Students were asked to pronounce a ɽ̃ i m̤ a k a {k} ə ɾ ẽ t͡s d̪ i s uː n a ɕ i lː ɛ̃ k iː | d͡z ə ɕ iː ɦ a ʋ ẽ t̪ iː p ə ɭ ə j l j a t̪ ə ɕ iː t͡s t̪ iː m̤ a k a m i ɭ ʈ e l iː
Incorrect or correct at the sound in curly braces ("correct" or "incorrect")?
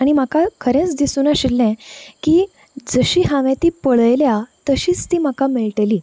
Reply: incorrect